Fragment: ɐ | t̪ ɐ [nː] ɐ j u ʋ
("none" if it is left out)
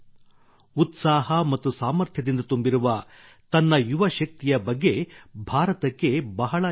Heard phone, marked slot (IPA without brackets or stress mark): nː